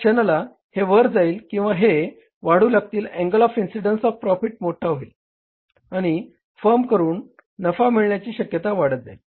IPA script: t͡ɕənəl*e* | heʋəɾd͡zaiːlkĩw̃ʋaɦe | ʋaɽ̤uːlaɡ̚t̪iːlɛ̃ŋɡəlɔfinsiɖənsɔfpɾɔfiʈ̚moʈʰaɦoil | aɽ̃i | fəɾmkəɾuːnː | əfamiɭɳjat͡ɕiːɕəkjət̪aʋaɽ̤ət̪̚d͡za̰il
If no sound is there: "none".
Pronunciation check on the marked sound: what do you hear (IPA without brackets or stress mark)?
a